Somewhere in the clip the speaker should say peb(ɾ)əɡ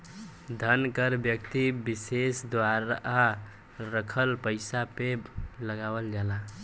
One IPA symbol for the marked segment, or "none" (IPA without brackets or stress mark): l